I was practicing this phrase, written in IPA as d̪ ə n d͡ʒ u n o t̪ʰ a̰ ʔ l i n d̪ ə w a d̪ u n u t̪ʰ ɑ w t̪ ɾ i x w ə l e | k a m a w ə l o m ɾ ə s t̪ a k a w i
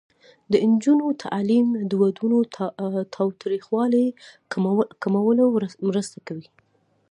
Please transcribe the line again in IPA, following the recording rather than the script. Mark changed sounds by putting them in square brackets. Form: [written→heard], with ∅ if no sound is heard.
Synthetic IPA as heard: d̪ ə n d͡ʒ u n o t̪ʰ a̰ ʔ l i [n→m] d̪ ə w a d̪ u n [u→o] t̪ʰ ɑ w t̪ ɾ i x w [ə→ɑ] l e | k a m a w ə l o m ɾ ə s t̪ a k a w i